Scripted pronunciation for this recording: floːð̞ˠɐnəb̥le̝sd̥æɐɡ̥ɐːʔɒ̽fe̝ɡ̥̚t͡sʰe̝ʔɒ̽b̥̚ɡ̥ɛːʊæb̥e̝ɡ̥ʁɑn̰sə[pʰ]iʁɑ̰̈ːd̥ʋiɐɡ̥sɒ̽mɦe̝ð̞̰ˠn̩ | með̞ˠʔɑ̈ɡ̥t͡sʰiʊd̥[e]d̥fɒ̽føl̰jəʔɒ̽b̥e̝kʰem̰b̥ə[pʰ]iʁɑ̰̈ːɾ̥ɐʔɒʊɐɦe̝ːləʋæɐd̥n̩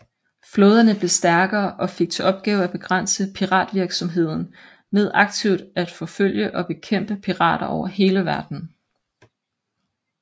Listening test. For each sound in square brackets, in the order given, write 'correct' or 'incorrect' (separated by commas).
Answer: correct, incorrect, correct